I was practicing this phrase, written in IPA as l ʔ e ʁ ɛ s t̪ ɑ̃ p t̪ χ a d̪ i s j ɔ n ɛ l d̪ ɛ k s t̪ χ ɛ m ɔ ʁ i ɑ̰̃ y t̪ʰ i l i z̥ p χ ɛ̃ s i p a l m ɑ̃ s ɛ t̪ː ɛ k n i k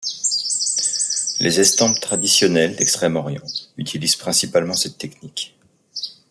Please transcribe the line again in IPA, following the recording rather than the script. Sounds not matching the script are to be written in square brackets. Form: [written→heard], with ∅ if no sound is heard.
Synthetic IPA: l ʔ e [ʁ→z] ɛ s t̪ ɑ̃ p t̪ χ a d̪ i s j ɔ n ɛ l d̪ ɛ k s t̪ χ ɛ m ɔ ʁ [i→j] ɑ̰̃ y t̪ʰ i l i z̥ p χ ɛ̃ s i p a l m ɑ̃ s ɛ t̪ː ɛ k n i k